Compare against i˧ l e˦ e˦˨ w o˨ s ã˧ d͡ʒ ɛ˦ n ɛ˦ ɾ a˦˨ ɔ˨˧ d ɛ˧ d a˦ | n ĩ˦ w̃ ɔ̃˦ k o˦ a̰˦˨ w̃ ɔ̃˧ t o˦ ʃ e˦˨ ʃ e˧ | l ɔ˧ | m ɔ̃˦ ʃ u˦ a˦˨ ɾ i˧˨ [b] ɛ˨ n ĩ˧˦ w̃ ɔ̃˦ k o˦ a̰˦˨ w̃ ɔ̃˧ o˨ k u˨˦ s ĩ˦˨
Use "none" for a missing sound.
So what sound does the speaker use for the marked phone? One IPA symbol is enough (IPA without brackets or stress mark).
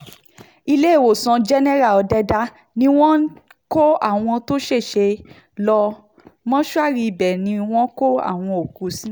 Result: b